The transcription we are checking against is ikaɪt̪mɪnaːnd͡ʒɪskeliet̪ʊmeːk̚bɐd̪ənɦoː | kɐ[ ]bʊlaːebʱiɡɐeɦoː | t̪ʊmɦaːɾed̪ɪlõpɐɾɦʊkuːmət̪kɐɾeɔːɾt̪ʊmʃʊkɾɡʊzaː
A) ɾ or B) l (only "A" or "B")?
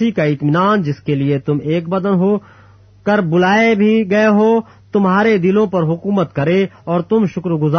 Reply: A